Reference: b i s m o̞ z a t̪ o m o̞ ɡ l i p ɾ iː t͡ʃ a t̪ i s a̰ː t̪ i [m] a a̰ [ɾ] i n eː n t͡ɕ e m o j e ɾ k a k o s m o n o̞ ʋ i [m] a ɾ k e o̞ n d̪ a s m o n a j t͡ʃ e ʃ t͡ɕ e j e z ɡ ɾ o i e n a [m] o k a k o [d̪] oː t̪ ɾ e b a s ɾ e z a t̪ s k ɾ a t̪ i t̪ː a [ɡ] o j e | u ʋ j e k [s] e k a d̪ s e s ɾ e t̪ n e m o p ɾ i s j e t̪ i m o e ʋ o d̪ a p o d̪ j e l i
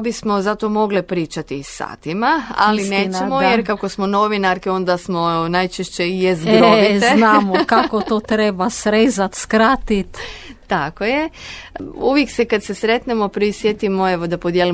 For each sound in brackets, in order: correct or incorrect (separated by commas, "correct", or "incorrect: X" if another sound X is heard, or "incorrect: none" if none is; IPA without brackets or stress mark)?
correct, incorrect: l, incorrect: n, correct, incorrect: t̪, incorrect: k, correct